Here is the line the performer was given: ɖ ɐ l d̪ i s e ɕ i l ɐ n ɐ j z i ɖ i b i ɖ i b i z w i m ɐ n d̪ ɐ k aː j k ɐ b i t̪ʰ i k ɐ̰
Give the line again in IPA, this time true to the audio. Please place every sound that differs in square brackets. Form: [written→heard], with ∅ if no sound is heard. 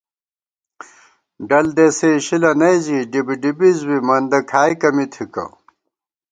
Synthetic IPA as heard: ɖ ɐ l d̪ [i→e] s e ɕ i l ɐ n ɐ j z i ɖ i b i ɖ i b i z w i m ɐ n d̪ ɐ [k→kʰ] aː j k ɐ [b→m] i t̪ʰ i k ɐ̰